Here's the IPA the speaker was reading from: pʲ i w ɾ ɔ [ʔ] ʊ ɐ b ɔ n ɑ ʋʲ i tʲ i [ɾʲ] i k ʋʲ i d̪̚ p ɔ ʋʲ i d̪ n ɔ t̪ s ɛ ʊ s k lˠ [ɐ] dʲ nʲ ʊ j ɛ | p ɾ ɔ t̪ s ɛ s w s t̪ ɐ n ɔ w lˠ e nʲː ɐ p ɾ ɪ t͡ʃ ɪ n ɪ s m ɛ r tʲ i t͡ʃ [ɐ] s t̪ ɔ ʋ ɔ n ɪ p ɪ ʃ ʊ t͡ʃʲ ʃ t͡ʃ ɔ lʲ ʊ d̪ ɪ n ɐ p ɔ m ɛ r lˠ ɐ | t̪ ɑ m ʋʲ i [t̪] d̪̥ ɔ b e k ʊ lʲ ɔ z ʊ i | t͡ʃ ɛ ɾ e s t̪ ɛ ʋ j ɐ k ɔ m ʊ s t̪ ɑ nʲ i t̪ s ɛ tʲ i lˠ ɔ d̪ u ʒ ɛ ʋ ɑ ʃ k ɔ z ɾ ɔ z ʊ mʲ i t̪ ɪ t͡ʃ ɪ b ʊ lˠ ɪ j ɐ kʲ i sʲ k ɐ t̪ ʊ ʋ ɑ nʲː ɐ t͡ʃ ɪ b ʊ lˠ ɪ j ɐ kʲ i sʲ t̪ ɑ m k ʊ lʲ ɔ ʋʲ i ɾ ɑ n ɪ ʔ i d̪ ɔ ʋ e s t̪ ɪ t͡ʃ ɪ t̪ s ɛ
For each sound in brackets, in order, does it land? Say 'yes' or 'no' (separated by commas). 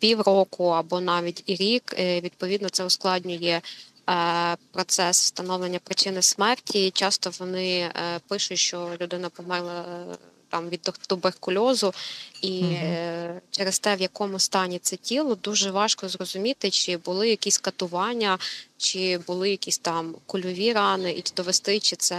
no, yes, no, no, no